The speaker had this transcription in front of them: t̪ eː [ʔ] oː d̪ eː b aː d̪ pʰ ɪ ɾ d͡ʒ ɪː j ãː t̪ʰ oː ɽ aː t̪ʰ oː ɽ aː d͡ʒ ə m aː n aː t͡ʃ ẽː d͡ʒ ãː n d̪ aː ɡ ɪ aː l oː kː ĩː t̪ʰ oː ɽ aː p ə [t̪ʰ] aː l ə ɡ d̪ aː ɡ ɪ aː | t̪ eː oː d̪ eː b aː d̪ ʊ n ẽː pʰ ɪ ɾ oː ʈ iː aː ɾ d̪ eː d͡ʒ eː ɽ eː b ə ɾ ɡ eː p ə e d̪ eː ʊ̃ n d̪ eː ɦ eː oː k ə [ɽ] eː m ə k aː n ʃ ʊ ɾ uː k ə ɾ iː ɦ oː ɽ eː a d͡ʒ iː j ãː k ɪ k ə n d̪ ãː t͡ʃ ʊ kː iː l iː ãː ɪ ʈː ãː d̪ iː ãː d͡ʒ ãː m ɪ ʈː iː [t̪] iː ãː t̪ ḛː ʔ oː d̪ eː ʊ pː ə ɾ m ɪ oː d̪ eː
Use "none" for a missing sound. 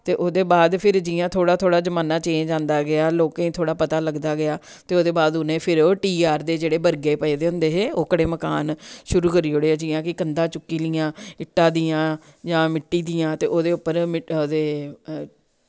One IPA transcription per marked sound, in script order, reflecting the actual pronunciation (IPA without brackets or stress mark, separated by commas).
ʔ, t̪, ɽ, d̪